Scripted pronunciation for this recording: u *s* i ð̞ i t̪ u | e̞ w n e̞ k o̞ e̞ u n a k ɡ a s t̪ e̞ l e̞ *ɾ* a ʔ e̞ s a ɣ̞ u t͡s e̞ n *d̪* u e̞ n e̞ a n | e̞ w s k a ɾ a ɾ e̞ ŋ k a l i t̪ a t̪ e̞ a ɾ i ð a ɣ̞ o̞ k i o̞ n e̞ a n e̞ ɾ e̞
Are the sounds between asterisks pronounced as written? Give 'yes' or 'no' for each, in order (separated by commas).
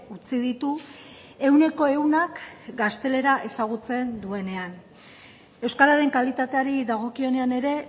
no, yes, yes